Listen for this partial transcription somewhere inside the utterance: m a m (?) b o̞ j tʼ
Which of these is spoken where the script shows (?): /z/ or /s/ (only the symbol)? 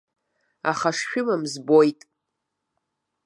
z